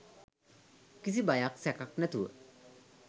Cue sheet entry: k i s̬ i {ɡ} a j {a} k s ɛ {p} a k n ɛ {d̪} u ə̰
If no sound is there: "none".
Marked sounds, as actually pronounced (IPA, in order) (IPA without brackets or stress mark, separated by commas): b, a, k, t̪